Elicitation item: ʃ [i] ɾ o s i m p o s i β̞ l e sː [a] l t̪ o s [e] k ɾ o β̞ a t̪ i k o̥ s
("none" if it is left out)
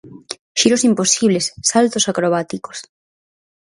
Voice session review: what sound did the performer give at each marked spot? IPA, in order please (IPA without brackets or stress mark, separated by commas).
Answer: i, a, a